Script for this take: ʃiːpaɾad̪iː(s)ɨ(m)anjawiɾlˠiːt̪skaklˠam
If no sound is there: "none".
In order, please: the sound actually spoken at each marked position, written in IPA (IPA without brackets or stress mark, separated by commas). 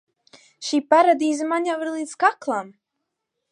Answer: z, m